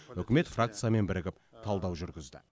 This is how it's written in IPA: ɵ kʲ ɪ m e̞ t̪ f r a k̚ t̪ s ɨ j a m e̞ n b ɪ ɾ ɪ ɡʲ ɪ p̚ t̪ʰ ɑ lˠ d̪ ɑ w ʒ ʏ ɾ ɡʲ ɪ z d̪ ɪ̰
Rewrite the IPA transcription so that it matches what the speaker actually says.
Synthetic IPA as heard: ɵ kʲ ɪ m e̞ t̪ f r a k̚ t̪ s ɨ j a m e̞ n b ɪ ɾ ɪ ɡʲ ɪ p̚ t̪ʰ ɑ lˠ d̪ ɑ w ʒ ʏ ɾ ɡʲ ɪ z d̪ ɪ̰

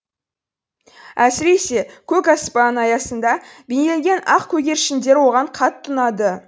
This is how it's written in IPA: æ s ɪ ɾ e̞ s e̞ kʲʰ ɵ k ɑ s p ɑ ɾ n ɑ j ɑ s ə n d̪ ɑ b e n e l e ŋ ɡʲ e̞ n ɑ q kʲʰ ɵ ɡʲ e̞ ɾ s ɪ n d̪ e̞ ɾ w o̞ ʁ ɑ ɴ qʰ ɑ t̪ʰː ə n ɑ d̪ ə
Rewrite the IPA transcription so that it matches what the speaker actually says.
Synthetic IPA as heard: æ s ɪ ɾ e̞ s e̞ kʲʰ ɵ k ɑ s p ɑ n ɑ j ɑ s ə n d̪ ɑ b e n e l e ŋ ɡʲ e̞ n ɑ q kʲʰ ɵ ɡʲ e̞ ɾ ʃ ɪ n d̪ e̞ ɾ w o̞ ʁ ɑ ɴ qʰ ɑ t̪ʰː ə n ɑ d̪ ə

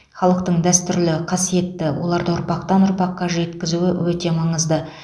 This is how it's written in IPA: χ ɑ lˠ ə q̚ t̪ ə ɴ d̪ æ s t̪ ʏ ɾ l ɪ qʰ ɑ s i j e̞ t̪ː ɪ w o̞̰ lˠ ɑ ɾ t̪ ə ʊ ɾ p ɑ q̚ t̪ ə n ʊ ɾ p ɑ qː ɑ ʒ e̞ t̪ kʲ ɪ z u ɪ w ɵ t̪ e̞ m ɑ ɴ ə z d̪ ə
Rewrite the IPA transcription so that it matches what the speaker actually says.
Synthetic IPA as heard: χ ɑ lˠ ə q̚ t̪ ə ɴ d̪ æ s t̪ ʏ ɾ l ɪ qʰ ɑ s i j e̞ t̪ː ɪ w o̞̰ lˠ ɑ ɾ d̪ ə ʊ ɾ p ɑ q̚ t̪ ɑ n ʊ ɾ p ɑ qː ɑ ʒ e̞ t̪ kʲ ɪ z u ɪ w ɵ t̪ e̞ m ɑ ɴ ə z d̪ ə

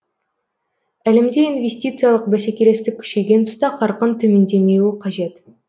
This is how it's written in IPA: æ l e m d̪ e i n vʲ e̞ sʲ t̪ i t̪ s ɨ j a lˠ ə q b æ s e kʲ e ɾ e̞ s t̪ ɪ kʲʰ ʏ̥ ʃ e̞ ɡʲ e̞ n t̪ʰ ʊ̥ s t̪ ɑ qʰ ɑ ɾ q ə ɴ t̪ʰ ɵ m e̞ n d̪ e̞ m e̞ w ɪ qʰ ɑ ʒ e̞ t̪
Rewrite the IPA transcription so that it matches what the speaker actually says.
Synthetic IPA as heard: æ l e m d̪ e i n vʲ e̞ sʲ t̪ i t̪ s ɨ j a lˠ ə q b æ s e kʲ e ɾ e̞ s t̪ ɪ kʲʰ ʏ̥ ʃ e̞ ɡʲ e̞ n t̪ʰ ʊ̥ s t̪ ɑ qʰ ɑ ɾ q ə n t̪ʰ ɵ m e̞ n d̪ e̞ m e̞ w ɪ qʰ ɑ ʒ e̞ t̪

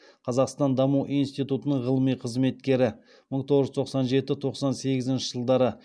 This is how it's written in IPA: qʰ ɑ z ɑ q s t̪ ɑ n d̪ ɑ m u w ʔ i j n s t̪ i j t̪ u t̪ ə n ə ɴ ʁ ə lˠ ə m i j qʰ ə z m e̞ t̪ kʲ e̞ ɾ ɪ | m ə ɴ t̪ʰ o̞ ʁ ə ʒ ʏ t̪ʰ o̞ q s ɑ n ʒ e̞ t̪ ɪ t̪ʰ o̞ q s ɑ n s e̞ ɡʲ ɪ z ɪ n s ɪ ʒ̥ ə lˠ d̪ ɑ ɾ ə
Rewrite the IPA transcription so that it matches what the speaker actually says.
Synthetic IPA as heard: qʰ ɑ z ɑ q s t̪ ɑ n d̪ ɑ m u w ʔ i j n s t̪ i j t̪ u t̪ ə n ə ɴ ʁ ə lˠ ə m i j qʰ ə z m e̞ t̪ kʲ e̞ ɾ ɪ | m ə ɴ t̪ʰ o̞ ʁ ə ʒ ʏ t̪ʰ o̞ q s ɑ n ʒ e̞ t̪ ɪ t̪ʰ o̞ q s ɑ n s e̞ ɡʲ ɪ z ɪ n ʃ ɪ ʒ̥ ə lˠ d̪ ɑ ɾ ə

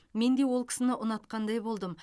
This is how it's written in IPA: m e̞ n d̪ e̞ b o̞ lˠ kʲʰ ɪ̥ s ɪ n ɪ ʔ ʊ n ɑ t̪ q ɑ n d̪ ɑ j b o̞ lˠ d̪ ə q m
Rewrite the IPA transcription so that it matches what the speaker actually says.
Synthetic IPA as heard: m e̞ n d̪ e̞ w o̞ lˠ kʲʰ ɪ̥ s ɪ n ɪ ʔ ʊ n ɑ t̪ q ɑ n d̪ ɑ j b o̞ lˠ d̪ ə m

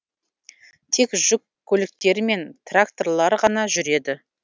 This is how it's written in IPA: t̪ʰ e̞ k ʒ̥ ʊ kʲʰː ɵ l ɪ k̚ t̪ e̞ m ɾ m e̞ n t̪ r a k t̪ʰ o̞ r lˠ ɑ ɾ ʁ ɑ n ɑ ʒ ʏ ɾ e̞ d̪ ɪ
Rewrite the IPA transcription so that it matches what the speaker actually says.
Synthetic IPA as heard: t̪ʰ e̞ k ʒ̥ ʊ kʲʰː ɵ l ɪ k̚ t̪ e̞ ɾ m e̞ n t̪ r a k t̪ o̞ r lˠ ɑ ɾ ʁ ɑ n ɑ ʒ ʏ ɾ e̞ d̪ ɪ

